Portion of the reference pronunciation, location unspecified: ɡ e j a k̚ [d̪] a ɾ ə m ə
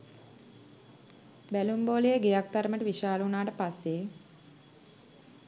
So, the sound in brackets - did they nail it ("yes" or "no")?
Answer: no